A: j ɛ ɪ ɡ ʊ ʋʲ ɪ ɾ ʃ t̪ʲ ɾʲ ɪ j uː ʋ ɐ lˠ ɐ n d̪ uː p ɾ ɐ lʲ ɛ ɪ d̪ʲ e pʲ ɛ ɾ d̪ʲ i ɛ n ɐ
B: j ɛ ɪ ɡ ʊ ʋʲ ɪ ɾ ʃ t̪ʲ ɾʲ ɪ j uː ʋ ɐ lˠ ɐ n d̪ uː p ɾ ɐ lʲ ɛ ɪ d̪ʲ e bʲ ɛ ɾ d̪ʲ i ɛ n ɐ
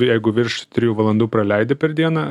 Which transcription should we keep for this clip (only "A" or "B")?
A